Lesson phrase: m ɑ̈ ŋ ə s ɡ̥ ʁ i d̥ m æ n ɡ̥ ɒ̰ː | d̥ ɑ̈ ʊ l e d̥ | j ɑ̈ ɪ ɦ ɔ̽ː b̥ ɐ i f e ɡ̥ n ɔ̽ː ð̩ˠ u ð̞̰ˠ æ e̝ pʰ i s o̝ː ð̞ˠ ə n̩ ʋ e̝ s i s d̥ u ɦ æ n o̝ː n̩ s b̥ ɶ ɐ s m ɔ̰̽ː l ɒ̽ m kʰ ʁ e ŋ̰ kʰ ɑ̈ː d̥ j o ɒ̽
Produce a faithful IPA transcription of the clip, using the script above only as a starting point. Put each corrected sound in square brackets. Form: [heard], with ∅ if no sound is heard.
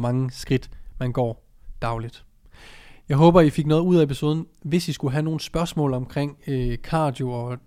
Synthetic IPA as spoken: m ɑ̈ ŋ ə s ɡ̥ ʁ i d̥ m æ n ɡ̥ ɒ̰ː | d̥ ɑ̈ ʊ l [i] d̥ | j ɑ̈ ɪ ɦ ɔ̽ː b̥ ɐ i f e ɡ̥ n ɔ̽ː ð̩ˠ u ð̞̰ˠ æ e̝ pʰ i s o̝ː ð̞ˠ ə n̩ ʋ e̝ s i s [ɡ̥] u ɦ æ n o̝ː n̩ s b̥ ɶ ɐ s m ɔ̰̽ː l ɒ̽ m kʰ ʁ e ŋ̰ kʰ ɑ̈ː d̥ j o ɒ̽